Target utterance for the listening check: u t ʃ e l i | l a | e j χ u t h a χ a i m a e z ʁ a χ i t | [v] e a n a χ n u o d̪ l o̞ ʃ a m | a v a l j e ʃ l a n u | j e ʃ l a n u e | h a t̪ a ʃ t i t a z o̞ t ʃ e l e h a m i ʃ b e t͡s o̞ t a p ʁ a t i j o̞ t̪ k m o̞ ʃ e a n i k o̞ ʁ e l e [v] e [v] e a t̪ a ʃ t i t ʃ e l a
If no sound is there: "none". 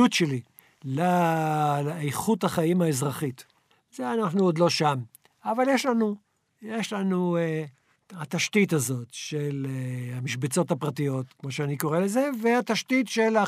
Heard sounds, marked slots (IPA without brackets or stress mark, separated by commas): z, z, v